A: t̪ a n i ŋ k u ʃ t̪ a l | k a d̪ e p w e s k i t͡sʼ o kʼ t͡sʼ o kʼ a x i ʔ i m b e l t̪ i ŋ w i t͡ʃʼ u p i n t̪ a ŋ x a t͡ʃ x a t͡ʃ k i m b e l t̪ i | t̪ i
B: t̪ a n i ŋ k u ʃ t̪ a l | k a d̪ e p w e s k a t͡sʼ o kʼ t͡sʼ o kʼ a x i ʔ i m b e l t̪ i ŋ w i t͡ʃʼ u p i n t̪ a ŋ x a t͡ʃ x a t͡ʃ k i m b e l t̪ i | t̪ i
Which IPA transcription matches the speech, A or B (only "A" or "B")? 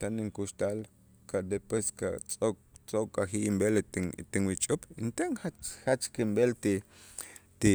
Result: B